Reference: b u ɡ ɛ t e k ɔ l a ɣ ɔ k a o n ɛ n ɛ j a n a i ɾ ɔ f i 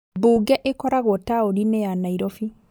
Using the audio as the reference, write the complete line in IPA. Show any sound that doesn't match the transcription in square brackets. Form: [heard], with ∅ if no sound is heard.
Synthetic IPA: b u ɡ ɛ [ʔ] e k ɔ [ɾ] a ɣ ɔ [t] a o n [i] n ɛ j a n a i ɾ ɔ f i